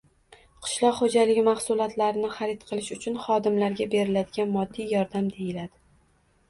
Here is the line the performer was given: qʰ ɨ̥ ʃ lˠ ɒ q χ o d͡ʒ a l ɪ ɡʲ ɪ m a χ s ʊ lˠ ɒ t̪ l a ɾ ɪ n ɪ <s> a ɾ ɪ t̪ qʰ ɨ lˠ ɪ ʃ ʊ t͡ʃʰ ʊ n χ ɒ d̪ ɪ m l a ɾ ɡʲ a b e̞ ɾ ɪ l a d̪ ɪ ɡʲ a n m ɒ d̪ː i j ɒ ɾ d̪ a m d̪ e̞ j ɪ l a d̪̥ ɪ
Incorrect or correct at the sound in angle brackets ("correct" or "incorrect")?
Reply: incorrect